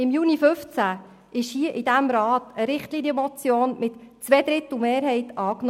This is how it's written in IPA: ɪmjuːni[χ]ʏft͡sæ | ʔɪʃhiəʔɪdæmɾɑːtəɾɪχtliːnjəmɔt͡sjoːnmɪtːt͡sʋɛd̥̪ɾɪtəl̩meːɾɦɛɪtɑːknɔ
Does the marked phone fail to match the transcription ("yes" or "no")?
yes